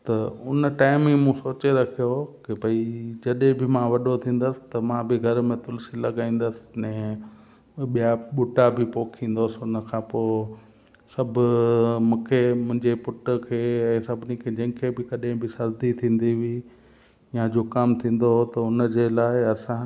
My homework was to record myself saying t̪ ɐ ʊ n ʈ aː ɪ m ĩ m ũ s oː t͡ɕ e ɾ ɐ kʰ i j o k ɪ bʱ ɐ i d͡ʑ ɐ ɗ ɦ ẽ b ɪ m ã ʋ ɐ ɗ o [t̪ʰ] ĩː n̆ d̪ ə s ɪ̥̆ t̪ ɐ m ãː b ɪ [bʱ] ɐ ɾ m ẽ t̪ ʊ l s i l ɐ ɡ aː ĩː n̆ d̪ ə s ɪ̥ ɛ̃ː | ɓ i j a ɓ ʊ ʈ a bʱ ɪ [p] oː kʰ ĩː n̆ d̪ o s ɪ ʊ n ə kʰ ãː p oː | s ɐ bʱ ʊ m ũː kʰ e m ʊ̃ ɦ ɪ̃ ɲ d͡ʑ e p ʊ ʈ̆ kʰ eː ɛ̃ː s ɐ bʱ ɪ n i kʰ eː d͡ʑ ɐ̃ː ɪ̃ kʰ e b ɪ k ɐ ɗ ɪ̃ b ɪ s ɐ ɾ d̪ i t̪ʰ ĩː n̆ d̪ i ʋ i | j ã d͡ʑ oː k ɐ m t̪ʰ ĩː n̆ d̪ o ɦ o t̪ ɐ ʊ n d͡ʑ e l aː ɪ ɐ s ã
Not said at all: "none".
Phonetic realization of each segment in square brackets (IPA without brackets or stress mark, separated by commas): t̪ʰ, ɡʱ, p